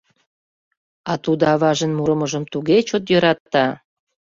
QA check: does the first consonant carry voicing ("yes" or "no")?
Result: no